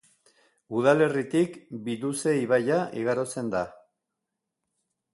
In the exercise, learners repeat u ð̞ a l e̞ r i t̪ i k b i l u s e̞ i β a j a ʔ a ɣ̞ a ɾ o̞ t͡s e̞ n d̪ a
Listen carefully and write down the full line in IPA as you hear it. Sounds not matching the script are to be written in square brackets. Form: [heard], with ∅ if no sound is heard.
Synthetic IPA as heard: u ð̞ a l e̞ r i t̪ i k b i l u s e̞ i β a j a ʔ [i] ɣ̞ a ɾ o̞ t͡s e̞ n d̪ a